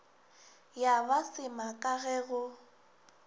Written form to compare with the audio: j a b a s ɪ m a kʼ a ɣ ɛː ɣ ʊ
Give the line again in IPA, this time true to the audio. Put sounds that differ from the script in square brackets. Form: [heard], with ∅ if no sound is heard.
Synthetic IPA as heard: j a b a s ɪ m a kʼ a ɣ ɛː ɣ ʊ